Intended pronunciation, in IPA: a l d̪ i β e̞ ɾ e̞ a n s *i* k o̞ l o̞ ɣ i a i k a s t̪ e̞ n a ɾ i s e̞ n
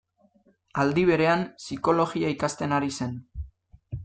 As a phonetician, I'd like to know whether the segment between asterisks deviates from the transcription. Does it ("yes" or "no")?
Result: no